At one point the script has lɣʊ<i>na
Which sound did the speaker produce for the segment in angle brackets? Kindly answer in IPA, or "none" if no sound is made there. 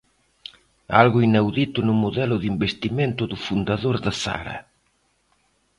i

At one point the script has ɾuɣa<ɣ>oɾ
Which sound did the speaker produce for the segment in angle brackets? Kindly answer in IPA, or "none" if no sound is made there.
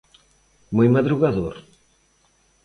ð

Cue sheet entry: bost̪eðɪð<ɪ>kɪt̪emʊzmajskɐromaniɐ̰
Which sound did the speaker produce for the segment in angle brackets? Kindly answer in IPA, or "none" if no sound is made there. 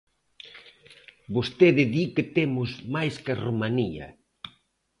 i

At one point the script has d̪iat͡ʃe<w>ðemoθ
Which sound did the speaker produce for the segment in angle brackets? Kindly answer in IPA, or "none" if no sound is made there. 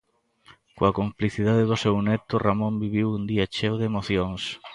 w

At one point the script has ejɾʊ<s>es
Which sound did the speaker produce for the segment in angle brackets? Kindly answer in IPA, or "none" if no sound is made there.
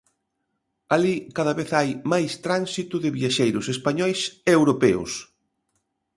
s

